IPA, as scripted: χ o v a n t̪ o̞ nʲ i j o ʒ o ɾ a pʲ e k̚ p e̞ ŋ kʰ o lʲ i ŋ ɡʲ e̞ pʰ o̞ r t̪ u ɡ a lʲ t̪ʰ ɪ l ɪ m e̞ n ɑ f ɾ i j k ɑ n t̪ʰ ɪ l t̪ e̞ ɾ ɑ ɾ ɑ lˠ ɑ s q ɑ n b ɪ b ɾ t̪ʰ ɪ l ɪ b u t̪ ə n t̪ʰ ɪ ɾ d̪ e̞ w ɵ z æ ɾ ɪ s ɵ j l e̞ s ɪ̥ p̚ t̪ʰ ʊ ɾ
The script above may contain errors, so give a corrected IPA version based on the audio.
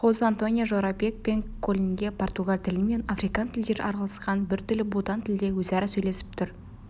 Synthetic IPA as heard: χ o z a n t̪ o̞ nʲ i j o ʒ o ɾ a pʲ e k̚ p e̞ ŋ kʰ o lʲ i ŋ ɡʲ e̞ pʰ o̞ r t̪ u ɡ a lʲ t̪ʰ ɪ l ɪ m e̞ n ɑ f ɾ i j k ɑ n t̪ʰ ɪ l d̪ e̞ ɾ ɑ ɾ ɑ lˠ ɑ s q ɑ n b ɪ ɾ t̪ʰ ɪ l ɪ b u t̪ ɑ n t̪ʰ ɪ l d̪ e̞ w ɵ z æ ɾ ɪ s ɵ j l e̞ s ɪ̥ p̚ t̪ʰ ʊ ɾ